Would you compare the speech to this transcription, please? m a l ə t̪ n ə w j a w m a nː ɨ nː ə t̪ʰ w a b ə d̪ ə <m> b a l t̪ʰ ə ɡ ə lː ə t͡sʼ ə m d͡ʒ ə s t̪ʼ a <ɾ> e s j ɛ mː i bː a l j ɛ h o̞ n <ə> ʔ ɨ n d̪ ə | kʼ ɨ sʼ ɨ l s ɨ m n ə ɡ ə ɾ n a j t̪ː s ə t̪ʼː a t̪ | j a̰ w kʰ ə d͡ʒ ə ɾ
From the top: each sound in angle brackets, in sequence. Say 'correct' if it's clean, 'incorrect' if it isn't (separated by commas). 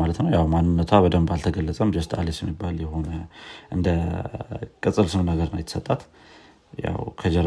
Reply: correct, incorrect, correct